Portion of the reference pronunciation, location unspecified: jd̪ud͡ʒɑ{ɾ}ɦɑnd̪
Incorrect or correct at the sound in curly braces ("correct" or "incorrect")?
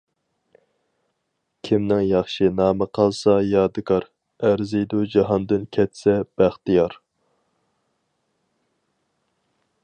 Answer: incorrect